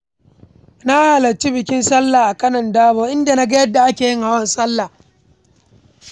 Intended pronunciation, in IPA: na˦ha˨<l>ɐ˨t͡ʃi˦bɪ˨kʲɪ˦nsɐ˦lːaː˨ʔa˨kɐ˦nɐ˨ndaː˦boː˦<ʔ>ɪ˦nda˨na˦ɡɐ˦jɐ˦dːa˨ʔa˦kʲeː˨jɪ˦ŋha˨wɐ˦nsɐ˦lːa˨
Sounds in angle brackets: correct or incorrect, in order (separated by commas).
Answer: correct, correct